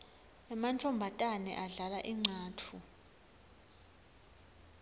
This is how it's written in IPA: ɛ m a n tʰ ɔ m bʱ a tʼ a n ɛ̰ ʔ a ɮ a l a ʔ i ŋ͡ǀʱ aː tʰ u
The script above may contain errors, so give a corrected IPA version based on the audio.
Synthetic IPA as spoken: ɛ m a n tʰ ɔ m bʱ a tʼ a n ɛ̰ ʔ a ɮ a l a ʔ i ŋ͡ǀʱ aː tʰ u

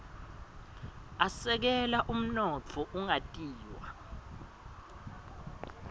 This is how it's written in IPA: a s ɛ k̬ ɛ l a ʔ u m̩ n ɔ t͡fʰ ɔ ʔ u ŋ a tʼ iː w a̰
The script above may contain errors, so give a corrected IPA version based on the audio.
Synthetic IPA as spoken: a s ɛ k̬ ɛ l a ʔ u m̩ n ɔ t͡fʰ ɔ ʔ u ŋ a tʼ iː w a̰

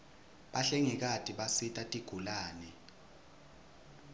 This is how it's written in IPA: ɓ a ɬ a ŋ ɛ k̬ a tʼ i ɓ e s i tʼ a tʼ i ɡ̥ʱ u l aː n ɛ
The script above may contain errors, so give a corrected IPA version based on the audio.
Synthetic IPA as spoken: ɓ a ɬ ɛ ŋ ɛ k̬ a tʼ i ɓ a s i tʼ a tʼ i ɡ̥ʱ u l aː n ɛ

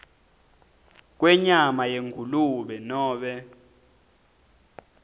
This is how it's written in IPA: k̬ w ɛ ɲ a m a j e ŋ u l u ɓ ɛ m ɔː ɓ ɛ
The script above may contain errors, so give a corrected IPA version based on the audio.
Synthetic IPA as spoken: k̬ w ɛ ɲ a m a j e ŋ u l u ɓ ɛ n ɔː ɓ ɛ

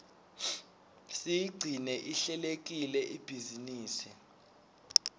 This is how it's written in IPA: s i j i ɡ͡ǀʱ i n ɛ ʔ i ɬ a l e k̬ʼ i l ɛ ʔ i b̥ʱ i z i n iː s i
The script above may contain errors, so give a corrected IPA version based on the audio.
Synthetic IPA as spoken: s i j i ɡ͡ǀʱ i n ɛ ʔ i ɬ ɛ l e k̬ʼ i l ɛ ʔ i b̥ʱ i z i n iː s i

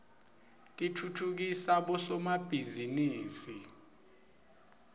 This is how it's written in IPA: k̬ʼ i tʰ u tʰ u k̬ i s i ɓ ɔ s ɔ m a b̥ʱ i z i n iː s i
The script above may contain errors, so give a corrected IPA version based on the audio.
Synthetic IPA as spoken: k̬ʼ i tʰ u tʰ u k̬ i s a ɓ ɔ s ɔ m a b̥ʱ i z i n iː s i

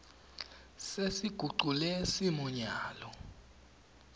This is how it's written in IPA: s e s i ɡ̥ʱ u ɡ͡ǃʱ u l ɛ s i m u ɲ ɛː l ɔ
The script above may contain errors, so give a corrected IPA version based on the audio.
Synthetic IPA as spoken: s e s i ɡ̥ʱ u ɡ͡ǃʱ u l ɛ s i m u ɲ aː l ɔ

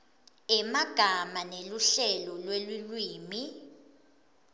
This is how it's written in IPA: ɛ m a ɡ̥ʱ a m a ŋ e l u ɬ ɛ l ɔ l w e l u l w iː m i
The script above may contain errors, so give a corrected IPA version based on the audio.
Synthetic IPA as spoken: ɛ m a ɡ̥ʱ a m a n e l u ɬ ɛ l ɔ l w e l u l w iː m i

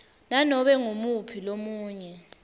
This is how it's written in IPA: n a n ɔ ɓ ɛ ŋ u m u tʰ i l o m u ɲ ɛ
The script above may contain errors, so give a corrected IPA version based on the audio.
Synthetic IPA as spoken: n a n ɔ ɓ ɛ ŋ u m u pʰ i l o m uː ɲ ɛ

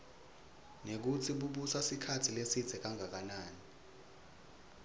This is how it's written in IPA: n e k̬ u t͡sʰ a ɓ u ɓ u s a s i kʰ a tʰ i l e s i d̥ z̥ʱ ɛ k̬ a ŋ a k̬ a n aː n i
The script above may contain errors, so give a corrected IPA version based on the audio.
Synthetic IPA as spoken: n e k̬ u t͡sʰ i ɓ u ɓ u s a s i kʰ a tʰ i l e s i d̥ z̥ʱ ɛ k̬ a ŋ a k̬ a n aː n i

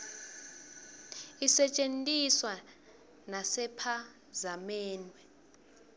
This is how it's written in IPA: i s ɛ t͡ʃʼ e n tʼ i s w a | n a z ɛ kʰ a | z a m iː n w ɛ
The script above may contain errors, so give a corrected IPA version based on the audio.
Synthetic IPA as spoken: i s ɛ t͡ʃʼ e n tʼ i s w a | n a s ɛ pʰ a | z a m ɛː n w ɛ

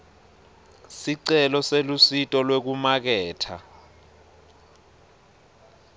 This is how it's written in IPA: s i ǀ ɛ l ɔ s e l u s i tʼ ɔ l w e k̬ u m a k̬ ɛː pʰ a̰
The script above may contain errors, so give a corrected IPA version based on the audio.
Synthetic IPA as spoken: s i ǀ ɛ l ɔ s e l u s i tʼ ɔ l w e k̬ u m a k̬ ɛː tʰ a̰

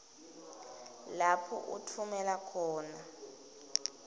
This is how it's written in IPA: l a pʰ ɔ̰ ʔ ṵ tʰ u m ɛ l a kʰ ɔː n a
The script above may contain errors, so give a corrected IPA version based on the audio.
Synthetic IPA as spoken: l a pʰ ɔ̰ ʔ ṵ tʰ u m ɛ l a kʰ ɔː n a

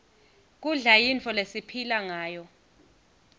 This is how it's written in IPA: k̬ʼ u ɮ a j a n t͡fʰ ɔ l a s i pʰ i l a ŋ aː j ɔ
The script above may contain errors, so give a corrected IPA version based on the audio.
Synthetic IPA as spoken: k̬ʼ u ɮ a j i n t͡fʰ ɔ l e s i pʰ i l a ŋ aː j ɔ

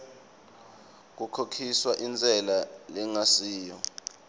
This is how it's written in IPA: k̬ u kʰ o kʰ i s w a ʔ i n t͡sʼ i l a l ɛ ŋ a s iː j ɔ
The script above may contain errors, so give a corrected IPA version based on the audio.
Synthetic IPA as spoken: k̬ u kʰ o kʰ i s w a ʔ i n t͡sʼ ɛ l a l ɛ ŋ a s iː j ɔ

